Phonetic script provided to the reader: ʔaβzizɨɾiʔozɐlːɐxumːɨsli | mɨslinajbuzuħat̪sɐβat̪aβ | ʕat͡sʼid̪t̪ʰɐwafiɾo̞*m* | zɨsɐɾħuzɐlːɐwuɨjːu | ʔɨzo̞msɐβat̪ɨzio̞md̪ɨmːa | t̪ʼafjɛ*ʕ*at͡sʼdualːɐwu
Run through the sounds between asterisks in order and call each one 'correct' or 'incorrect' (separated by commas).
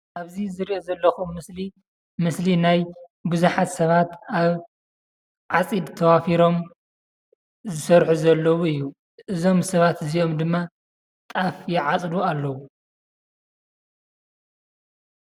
correct, correct